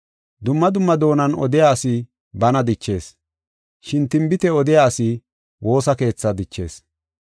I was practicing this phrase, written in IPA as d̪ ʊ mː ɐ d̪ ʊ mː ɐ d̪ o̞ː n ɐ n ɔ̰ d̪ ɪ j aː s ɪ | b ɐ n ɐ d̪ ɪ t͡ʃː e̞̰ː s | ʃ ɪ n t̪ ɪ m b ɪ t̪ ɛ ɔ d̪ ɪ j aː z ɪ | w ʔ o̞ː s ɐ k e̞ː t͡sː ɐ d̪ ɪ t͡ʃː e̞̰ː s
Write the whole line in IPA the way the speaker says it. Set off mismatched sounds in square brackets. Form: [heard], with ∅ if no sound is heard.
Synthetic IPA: d̪ ʊ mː ɐ d̪ ʊ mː ɐ d̪ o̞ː n ɐ n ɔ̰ d̪ ɪ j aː s ɪ | b ɐ n ɐ d̪ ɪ t͡ʃː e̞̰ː s | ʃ ɪ n t̪ ɪ m b ɪ t̪ ɛ ɔ d̪ ɪ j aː [s] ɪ | w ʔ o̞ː s ɐ k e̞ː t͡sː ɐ d̪ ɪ t͡ʃː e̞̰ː s